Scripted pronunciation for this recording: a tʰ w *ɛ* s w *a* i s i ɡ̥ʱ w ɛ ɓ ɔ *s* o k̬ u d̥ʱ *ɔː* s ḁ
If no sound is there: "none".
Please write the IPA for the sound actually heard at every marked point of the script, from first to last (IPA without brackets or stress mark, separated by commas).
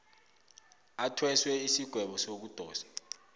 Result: ɛ, ɛ, s, ɔː